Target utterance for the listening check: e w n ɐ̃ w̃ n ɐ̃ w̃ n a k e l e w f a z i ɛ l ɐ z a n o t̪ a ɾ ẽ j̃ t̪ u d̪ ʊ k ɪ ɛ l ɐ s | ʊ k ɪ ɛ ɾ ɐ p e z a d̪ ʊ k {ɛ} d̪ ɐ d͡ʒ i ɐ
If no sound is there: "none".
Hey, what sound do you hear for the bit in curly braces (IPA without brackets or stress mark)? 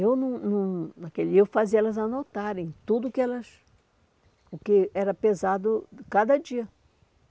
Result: a